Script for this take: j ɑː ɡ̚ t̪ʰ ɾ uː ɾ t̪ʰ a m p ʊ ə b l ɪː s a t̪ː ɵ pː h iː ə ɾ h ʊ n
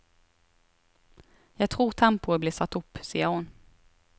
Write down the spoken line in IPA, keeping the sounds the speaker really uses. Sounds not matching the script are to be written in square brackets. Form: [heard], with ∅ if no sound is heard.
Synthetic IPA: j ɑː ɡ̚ t̪ʰ ɾ uː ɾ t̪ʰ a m p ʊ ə b l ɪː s a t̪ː ɵ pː [s] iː ə ɾ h ʊ n